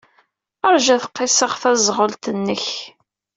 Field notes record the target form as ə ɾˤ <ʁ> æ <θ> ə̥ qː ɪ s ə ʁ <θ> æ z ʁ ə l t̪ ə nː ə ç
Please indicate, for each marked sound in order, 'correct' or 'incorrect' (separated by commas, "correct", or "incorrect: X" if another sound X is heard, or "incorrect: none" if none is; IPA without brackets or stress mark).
incorrect: ʒ, correct, correct